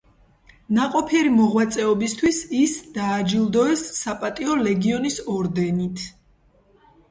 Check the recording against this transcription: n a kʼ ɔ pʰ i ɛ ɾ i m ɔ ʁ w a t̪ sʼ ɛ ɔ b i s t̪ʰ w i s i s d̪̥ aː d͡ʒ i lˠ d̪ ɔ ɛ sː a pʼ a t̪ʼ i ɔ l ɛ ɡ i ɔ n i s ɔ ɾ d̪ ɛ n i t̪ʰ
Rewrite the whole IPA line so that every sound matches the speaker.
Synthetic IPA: n a qʼ ɔ pʰ i ɛ ɾ i m ɔ ʁ w a t̪ sʼ ɛ ɔ b i s t̪ʰ w i s i s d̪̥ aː d͡ʒ i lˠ d̪ ɔ ɛ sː a pʼ a t̪ʼ i ɔ l ɛ ɡ i ɔ n i s ɔ ɾ d̪ ɛ n i t̪ʰ